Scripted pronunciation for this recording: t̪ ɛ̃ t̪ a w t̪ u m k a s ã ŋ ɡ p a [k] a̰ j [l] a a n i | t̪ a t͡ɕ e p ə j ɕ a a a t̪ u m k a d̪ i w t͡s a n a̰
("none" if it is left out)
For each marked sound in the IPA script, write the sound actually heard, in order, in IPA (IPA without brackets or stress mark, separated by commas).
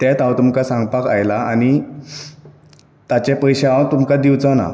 k, l